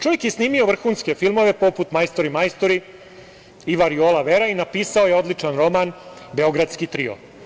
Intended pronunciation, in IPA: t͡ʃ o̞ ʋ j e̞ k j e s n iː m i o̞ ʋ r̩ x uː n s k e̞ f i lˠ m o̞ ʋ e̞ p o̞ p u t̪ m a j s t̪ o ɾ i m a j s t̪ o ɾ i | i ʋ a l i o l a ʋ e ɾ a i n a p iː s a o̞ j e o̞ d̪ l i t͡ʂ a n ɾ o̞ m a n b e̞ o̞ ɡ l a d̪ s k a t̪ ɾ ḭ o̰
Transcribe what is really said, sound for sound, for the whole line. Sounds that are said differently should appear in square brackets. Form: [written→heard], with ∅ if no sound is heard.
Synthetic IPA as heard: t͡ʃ o̞ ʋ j e̞ k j e s n iː m i o̞ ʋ r̩ x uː n s k e̞ f i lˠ m o̞ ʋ e̞ p o̞ p u t̪ m a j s t̪ o ɾ i m a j s t̪ o ɾ i | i ʋ a [l→ɾ] i o l a ʋ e ɾ a i n a p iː s a o̞ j e o̞ d̪ l i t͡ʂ a n ɾ o̞ m a n b e̞ o̞ ɡ [l→ɾ] a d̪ s k [a→i] t̪ ɾ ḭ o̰